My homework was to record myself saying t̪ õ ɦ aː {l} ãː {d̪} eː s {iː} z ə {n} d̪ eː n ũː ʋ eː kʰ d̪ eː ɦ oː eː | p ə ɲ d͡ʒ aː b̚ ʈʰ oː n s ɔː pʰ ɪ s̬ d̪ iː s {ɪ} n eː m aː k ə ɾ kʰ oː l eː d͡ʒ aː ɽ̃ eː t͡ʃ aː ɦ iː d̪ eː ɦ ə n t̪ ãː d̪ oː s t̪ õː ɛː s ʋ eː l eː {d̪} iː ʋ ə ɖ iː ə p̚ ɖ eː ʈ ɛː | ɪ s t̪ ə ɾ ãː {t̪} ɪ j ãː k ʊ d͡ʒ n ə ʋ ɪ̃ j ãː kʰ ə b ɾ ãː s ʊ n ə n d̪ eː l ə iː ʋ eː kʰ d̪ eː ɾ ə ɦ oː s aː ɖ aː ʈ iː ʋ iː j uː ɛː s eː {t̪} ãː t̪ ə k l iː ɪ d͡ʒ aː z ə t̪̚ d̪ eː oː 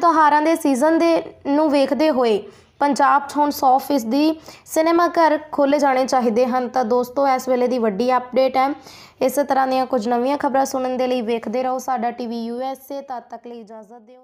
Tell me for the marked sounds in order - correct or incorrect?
incorrect: ɾ, correct, correct, correct, correct, correct, incorrect: d̪, correct

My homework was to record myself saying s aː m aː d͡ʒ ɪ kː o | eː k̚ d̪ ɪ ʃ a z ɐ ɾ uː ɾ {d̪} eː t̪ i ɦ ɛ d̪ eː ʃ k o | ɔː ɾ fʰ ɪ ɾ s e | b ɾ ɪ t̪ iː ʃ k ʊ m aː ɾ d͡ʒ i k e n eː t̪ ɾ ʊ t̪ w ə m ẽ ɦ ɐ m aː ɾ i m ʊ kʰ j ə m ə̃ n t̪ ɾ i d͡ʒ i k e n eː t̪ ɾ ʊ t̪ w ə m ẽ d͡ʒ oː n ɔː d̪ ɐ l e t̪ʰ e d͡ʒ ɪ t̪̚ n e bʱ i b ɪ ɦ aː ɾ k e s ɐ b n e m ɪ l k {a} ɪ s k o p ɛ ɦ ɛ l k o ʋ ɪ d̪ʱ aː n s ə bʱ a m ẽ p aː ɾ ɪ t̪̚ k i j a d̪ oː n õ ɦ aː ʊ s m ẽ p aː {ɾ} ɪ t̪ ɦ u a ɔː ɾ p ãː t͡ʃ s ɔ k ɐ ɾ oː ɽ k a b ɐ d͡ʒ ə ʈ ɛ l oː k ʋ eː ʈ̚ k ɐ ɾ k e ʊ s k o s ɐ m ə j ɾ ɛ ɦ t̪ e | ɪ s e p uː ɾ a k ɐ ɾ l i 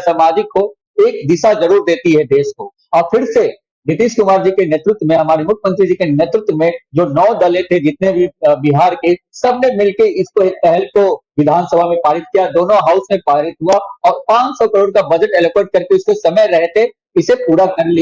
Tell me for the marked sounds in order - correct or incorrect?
correct, incorrect: e, correct

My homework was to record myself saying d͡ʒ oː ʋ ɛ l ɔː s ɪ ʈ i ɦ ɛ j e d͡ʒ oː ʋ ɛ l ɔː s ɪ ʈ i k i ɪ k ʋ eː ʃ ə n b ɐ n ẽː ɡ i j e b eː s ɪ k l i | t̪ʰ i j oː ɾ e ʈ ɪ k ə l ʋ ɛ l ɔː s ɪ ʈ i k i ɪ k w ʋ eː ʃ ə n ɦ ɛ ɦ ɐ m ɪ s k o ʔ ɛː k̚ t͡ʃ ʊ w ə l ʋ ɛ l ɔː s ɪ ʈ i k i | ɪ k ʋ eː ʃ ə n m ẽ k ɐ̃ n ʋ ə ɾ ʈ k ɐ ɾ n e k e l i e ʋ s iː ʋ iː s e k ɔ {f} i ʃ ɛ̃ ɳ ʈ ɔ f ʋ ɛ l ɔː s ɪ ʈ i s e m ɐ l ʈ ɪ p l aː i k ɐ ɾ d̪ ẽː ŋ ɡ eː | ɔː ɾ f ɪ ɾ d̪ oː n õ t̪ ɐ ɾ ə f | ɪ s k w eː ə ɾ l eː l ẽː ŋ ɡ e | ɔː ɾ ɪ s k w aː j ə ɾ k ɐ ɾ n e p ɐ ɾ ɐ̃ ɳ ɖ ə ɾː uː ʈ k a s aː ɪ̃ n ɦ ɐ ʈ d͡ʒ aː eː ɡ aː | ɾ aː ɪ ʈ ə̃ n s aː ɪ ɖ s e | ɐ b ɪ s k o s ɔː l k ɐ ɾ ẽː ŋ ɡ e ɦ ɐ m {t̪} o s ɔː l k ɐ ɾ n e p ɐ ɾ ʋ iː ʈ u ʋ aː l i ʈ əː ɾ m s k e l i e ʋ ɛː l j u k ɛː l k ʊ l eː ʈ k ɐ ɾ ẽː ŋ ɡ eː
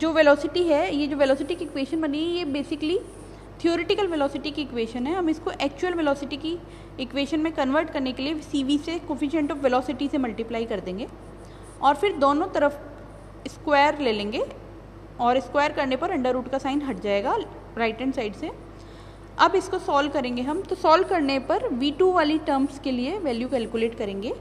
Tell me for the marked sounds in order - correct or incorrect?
correct, correct

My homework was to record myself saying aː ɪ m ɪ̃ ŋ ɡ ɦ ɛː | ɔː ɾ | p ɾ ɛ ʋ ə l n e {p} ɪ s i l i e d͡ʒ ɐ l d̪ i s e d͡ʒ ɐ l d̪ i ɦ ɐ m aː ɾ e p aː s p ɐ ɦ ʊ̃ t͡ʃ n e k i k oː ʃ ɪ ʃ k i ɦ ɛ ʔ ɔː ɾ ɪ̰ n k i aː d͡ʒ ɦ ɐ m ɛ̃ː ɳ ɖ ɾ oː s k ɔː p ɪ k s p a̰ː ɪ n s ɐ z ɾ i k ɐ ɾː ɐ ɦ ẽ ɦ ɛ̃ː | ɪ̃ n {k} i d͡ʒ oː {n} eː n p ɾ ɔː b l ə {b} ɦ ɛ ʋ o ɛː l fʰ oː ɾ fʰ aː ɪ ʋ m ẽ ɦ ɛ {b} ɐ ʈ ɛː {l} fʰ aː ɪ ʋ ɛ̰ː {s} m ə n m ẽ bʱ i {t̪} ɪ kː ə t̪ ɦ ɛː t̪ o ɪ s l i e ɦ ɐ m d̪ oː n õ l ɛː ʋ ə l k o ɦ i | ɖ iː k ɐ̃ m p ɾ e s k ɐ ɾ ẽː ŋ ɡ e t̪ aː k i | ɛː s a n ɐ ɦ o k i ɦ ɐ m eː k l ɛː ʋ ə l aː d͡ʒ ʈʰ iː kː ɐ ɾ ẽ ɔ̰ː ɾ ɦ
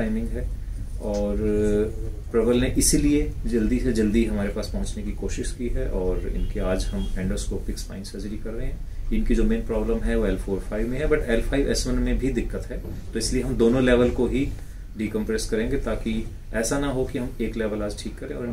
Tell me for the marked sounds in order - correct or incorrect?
incorrect: ʔ, correct, incorrect: m, incorrect: m, correct, correct, correct, incorrect: d̪

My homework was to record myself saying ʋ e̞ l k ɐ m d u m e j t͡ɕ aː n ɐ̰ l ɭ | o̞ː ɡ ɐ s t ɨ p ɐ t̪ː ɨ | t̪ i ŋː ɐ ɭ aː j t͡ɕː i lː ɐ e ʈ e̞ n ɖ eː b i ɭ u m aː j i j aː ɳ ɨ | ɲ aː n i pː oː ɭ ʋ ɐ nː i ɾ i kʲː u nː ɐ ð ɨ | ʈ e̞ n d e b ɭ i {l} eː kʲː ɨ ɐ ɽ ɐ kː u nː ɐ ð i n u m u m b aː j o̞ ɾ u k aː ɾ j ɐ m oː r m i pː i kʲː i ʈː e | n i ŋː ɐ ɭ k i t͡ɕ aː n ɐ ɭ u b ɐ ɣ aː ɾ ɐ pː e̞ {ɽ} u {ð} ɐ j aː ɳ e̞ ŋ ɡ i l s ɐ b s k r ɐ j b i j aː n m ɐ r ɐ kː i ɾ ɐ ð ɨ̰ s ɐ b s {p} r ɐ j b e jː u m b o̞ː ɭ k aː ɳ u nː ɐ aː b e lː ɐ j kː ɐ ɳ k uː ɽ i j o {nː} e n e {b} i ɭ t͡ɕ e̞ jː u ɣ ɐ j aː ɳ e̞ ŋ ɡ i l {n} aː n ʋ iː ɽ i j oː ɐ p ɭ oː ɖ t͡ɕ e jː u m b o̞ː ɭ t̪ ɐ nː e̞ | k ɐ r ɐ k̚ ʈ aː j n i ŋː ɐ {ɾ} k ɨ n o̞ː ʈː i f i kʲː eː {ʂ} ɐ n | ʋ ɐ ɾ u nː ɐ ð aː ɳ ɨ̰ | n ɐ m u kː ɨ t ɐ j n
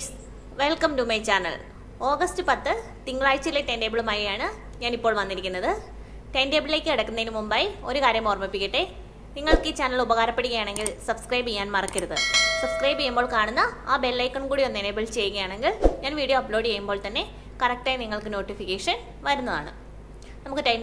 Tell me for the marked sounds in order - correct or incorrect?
correct, correct, incorrect: ɣ, incorrect: k, correct, correct, incorrect: ɲ, incorrect: ɭ, correct

